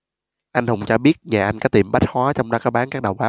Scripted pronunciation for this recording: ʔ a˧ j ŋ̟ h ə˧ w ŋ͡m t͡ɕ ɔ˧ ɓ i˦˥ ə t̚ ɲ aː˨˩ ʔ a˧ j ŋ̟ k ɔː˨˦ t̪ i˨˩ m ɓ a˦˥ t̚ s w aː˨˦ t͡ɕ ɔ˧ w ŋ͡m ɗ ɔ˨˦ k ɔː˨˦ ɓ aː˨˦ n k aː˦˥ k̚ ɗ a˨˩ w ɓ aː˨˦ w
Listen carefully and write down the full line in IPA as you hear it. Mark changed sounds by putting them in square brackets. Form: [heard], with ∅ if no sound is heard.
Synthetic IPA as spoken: ʔ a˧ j ŋ̟ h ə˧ w ŋ͡m t͡ɕ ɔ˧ ɓ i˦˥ ə t̚ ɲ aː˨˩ ʔ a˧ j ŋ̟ k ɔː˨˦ t̪ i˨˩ m ɓ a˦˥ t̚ [h] w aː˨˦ t͡ɕ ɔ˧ w ŋ͡m ɗ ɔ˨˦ k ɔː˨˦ ɓ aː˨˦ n k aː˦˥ k̚ ɗ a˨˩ w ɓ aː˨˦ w

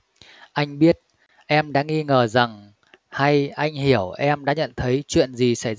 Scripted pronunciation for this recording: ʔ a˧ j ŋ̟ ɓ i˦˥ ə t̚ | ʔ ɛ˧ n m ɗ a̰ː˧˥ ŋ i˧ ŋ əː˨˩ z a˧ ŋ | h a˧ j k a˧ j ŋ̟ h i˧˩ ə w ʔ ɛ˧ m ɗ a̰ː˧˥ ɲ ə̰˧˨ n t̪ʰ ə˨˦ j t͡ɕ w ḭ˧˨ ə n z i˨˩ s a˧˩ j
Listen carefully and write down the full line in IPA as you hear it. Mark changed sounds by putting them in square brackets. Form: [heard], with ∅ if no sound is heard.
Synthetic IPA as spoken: ʔ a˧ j ŋ̟ ɓ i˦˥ ə t̚ | ʔ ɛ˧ [∅] m ɗ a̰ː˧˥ ŋ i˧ ŋ əː˨˩ z [a˨˩] ŋ | h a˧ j [ʔ] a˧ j ŋ̟ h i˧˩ ə w ʔ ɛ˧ m ɗ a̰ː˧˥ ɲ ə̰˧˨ n t̪ʰ ə˨˦ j t͡ɕ w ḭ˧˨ ə n z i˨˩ s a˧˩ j

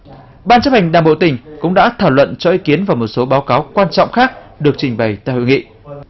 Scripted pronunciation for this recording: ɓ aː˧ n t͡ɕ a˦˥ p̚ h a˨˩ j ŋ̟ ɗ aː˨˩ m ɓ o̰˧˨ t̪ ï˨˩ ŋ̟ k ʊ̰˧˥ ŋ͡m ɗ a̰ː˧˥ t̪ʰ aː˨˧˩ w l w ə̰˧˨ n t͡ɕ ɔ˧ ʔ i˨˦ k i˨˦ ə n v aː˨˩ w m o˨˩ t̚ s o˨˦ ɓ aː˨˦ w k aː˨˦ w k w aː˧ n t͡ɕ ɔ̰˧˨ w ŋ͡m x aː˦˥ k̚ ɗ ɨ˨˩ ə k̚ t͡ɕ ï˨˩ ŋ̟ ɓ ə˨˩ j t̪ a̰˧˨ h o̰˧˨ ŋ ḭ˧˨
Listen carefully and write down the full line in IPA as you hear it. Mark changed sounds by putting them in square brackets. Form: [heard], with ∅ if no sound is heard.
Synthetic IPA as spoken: ɓ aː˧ n t͡ɕ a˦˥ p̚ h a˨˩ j ŋ̟ ɗ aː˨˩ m ɓ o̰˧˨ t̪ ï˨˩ ŋ̟ k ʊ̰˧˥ ŋ͡m ɗ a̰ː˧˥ t̪ʰ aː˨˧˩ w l w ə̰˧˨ n t͡ɕ ɔ˧ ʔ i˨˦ k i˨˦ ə n v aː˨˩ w m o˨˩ t̚ s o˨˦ ɓ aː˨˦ w k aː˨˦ w k w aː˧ n t͡ɕ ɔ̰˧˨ w ŋ͡m x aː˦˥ k̚ ɗ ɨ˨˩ ə k̚ t͡ɕ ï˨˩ ŋ̟ ɓ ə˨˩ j t̪ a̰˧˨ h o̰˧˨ ŋ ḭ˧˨

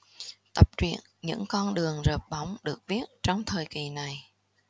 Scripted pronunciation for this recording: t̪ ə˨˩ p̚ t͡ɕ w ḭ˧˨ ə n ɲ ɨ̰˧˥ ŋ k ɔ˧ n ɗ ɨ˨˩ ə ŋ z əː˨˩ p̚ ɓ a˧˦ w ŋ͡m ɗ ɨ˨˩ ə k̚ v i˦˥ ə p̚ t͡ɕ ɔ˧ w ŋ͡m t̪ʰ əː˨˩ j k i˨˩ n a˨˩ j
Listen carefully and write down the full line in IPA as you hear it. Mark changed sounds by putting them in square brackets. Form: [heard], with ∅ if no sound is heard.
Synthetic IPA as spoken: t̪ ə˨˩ p̚ t͡ɕ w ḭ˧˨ ə n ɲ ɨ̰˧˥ ŋ k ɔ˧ n ɗ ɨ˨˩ ə ŋ z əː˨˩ p̚ ɓ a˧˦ w ŋ͡m ɗ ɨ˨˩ ə k̚ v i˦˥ ə [t̚] t͡ɕ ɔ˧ w ŋ͡m t̪ʰ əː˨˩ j k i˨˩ n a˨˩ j

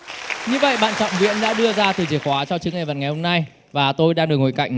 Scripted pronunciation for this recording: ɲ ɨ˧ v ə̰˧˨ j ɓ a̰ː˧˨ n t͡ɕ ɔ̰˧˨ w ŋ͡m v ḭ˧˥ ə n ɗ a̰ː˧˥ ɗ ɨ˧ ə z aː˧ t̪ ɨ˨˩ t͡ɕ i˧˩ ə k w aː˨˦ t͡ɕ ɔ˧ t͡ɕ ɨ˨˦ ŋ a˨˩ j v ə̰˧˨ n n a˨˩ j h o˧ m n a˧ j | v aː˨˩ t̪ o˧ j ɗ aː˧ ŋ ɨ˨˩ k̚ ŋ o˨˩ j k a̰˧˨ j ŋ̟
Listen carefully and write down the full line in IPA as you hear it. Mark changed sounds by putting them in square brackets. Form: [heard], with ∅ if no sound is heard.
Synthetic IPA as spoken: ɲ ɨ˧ v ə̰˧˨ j ɓ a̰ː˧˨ n t͡ɕ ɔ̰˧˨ w ŋ͡m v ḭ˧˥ ə n ɗ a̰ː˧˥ ɗ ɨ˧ ə z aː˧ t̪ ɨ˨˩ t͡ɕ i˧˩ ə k w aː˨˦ t͡ɕ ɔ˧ t͡ɕ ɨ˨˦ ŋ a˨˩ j v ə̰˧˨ n [ŋ] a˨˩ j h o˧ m n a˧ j | v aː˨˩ t̪ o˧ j ɗ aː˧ ŋ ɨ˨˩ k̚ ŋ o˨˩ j k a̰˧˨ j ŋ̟

